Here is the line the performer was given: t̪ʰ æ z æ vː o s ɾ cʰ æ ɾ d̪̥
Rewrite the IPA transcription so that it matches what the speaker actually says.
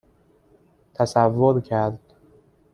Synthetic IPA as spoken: t̪ʰ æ s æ vː o ɾ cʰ æ ɾ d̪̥